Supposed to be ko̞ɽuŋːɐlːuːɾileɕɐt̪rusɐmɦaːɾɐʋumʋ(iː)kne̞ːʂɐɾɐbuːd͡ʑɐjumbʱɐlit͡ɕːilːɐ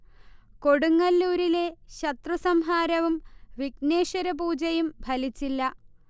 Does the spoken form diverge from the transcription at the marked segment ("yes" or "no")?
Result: yes